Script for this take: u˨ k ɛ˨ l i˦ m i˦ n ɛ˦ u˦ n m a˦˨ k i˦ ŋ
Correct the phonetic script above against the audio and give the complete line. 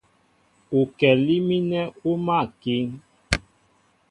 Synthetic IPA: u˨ k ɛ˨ l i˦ m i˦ n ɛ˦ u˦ m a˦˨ k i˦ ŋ